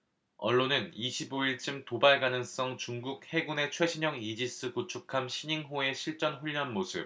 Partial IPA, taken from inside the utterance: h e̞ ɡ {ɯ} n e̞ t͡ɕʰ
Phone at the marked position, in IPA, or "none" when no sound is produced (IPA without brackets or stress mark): u